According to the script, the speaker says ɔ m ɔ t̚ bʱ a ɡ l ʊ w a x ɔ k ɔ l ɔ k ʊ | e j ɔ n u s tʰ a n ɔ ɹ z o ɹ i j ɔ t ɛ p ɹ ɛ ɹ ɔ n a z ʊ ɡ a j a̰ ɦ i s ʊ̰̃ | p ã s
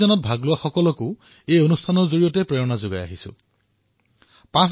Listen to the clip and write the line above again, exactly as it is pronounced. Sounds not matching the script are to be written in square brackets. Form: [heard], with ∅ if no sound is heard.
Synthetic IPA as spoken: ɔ [n] ɔ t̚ bʱ a ɡ l ʊ w a x ɔ k ɔ l ɔ k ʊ | e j [o] n u s tʰ a n ɔ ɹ z o ɹ i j ɔ t ɛ p ɹ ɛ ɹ ɔ n a z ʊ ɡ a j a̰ ɦ i s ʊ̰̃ | p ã s